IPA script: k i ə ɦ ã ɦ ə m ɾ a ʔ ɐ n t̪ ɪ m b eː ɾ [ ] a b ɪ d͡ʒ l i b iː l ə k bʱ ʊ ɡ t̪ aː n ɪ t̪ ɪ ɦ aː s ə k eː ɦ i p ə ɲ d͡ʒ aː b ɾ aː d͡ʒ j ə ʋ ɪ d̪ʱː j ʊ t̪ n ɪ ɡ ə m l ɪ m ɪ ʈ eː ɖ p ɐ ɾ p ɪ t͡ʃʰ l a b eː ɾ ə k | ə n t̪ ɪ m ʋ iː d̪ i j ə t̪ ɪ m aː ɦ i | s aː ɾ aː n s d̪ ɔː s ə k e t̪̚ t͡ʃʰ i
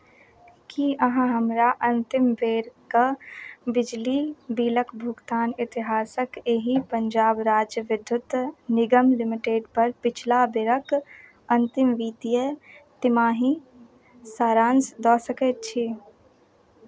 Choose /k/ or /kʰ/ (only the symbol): k